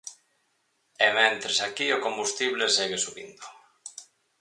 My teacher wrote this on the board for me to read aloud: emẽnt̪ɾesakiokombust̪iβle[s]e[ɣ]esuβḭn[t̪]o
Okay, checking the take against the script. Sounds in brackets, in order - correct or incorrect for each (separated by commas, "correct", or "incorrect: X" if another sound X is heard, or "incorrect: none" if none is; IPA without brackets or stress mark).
correct, correct, incorrect: d̪